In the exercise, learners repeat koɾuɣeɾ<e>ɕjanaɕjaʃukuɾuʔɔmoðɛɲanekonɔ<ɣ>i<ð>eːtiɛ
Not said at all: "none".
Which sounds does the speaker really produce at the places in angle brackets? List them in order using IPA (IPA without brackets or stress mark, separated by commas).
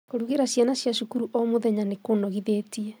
a, ɣ, ð